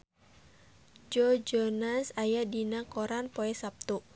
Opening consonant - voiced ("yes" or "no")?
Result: yes